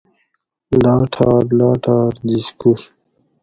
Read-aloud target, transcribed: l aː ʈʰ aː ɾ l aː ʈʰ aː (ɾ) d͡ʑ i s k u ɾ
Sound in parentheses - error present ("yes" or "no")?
no